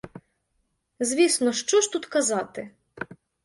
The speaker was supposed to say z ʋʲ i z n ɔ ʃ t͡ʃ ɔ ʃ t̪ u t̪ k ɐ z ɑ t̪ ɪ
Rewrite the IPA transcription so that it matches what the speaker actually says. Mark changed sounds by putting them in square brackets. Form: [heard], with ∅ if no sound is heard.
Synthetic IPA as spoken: z ʋʲ i [s] n ɔ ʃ t͡ʃ ɔ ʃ t̪ u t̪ k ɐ z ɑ t̪ ɪ